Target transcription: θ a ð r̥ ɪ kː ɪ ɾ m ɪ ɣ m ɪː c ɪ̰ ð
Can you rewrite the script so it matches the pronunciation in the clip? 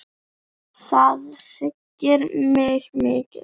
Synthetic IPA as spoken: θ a ð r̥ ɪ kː ɪ ɾ m ɪ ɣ m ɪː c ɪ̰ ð